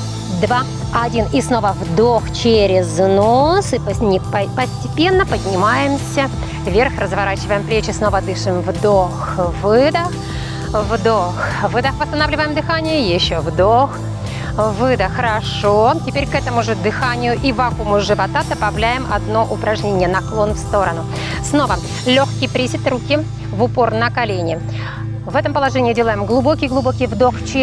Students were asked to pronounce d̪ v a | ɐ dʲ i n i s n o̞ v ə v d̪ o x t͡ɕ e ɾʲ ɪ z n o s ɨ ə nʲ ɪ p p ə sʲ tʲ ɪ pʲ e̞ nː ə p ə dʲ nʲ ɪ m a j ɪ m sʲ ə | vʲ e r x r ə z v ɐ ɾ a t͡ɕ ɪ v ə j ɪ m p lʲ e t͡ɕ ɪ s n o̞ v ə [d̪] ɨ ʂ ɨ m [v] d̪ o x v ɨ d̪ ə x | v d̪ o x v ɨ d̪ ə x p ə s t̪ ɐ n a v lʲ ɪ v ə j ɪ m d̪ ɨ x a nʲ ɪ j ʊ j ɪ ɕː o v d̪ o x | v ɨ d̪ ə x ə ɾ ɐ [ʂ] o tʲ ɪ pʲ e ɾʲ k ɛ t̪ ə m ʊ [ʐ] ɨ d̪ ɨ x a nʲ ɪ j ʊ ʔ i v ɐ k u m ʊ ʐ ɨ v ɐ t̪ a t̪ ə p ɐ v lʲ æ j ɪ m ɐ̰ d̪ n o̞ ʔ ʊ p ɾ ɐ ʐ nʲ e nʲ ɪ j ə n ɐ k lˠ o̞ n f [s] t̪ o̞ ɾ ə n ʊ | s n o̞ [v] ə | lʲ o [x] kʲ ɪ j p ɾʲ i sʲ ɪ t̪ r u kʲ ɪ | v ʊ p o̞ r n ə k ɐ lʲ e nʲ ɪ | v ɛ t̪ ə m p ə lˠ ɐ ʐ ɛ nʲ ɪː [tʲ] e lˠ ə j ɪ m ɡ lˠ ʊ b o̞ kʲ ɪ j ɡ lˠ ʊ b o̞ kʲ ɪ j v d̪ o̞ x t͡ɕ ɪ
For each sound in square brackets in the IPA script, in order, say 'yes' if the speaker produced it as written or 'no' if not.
yes, yes, yes, yes, yes, yes, yes, no

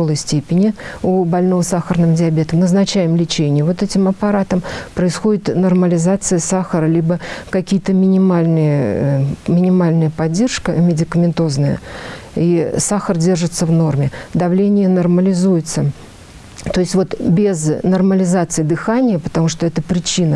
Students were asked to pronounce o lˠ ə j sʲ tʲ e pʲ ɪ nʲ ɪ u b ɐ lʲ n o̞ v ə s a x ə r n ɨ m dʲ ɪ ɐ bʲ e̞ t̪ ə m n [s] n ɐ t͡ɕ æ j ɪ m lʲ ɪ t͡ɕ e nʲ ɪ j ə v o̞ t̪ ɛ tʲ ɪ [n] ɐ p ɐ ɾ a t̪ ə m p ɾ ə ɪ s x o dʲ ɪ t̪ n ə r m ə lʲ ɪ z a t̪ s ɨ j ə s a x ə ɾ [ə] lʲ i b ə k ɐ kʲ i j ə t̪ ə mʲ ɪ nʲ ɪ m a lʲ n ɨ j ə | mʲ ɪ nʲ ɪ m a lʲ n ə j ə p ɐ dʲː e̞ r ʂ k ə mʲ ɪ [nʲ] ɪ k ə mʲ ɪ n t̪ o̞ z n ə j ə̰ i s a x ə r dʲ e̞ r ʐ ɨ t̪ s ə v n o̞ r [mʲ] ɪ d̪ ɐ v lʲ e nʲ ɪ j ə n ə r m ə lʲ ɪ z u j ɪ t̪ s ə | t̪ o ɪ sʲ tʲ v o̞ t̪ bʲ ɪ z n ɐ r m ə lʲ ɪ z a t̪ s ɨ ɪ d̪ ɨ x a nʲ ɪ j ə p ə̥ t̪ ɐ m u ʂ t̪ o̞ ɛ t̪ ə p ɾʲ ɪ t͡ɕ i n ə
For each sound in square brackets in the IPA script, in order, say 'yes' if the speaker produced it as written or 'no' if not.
no, no, yes, no, yes

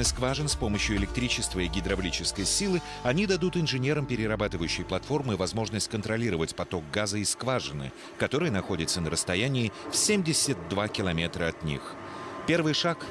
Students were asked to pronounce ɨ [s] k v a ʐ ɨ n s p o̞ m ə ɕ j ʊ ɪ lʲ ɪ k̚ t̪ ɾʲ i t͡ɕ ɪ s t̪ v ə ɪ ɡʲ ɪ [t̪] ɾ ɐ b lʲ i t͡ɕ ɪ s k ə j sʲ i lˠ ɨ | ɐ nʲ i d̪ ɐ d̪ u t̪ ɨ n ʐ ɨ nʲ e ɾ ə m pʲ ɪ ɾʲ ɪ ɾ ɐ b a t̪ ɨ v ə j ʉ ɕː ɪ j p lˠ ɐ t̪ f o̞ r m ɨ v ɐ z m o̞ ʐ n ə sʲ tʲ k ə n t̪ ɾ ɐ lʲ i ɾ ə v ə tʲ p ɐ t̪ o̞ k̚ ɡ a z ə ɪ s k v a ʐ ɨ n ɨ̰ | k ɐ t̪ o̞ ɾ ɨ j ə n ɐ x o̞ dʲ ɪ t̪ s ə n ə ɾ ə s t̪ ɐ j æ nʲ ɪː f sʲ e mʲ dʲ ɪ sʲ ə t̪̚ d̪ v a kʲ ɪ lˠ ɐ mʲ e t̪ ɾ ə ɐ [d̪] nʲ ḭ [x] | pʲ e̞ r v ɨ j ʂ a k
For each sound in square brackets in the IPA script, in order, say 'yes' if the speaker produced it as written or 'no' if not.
yes, no, no, yes

